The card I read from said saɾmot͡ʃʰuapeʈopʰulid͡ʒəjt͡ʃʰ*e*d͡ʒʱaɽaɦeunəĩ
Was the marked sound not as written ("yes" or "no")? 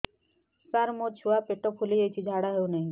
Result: yes